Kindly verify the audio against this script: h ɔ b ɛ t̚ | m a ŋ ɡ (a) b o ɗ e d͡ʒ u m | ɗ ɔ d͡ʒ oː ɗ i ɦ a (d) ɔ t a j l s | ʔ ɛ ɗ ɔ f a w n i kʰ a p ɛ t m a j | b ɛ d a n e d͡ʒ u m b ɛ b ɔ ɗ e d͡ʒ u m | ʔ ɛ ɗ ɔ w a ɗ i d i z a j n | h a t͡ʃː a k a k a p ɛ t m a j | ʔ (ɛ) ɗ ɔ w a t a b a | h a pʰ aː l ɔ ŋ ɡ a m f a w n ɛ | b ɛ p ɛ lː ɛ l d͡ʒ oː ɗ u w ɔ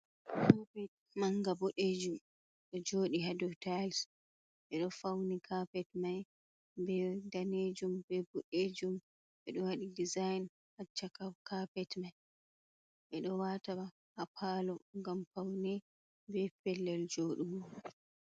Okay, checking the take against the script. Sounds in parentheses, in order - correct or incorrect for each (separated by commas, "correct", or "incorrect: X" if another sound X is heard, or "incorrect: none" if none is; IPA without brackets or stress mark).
correct, correct, correct